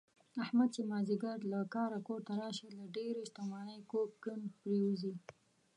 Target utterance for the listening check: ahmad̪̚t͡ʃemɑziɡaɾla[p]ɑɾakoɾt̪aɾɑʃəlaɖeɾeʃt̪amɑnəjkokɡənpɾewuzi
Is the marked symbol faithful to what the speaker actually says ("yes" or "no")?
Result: no